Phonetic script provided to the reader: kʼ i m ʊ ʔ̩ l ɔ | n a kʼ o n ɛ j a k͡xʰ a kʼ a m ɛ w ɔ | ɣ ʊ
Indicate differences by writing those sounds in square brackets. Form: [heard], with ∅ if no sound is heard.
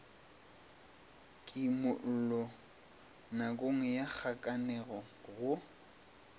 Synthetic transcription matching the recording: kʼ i m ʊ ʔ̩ l ɔ | n a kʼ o [ŋ] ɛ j a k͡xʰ a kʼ a [n] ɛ [ɣ] ɔ | ɣ ʊ

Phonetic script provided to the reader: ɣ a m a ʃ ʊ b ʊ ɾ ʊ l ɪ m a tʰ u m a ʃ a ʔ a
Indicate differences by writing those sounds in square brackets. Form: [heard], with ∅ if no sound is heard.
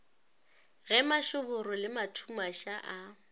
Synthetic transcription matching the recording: ɣ [ɛ] m a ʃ ʊ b ʊ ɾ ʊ l ɪ m a tʰ u m a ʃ a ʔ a

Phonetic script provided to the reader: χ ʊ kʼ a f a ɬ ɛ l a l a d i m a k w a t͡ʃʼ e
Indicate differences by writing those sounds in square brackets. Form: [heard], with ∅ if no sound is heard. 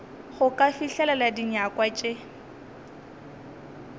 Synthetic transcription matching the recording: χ ʊ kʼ a f [i] ɬ ɛ l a l a d i [ɲ] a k w a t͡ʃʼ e

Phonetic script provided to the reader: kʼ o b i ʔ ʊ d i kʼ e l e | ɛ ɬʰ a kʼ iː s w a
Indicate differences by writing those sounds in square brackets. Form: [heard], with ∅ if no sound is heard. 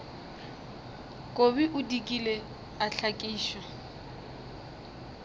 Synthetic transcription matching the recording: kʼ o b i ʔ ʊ d i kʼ [i] l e | [a] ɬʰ a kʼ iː [ʃ] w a

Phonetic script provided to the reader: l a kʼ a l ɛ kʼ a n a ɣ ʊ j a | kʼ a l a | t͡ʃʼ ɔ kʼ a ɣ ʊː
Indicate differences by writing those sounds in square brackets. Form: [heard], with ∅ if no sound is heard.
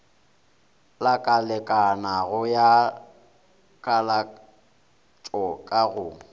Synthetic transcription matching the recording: l a kʼ a l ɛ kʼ a n a ɣ ʊ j a | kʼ a l a | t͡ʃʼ ɔ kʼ a ɣ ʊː

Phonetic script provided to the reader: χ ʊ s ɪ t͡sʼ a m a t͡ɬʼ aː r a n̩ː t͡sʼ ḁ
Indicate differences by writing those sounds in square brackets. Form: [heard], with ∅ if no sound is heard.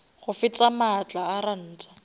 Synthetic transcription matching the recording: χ ʊ [f] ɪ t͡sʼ a m a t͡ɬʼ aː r a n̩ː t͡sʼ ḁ

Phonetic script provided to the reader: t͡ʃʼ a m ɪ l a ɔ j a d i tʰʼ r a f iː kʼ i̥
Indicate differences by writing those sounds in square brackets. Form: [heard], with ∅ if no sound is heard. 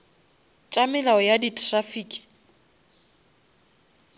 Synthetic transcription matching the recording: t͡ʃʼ a m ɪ l a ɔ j a d i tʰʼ r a f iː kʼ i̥

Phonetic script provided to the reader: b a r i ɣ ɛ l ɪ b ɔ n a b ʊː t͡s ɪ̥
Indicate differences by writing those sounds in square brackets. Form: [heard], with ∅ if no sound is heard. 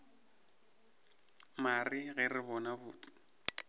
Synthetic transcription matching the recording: [m] a r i ɣ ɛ [r] ɪ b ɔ n a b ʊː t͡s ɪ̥

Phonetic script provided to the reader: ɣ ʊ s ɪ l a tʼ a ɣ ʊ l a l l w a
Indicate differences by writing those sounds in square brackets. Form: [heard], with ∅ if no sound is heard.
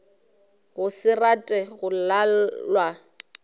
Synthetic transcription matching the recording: ɣ ʊ s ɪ [r] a tʼ [ɛ] ɣ ʊ l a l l w a

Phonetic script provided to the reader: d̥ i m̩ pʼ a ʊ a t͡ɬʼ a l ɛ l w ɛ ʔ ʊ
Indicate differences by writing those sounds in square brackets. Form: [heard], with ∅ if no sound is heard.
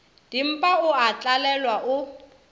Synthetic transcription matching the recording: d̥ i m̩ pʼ a ʊ a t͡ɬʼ a l ɛ l w [a] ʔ ʊ

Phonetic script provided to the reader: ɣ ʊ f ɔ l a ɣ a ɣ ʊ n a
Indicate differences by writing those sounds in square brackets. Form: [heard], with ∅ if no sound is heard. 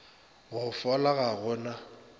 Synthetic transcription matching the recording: ɣ ʊ f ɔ l a ɣ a ɣ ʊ n a

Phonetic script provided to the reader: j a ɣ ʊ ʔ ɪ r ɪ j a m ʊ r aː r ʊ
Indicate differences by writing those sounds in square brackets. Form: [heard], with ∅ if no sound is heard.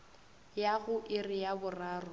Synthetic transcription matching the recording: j a ɣ ʊ ʔ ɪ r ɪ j a [b] ʊ r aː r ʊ

